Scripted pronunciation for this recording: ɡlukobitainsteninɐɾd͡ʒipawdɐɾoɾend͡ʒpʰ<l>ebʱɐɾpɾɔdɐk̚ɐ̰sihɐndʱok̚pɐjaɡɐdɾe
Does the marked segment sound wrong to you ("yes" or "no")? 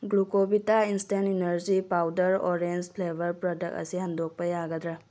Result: no